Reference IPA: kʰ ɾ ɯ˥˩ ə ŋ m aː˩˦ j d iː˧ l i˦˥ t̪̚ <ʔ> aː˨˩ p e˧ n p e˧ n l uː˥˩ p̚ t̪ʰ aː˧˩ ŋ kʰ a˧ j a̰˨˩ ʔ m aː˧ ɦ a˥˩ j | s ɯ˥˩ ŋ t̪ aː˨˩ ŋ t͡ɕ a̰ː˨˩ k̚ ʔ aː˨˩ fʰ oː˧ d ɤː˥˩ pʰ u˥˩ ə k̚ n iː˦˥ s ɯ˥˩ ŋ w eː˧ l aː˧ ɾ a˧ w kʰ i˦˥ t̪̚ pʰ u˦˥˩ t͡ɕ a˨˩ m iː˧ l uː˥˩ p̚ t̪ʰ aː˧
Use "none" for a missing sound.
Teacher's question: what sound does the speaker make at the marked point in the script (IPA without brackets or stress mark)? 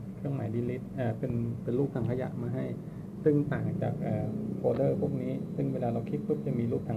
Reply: ʔ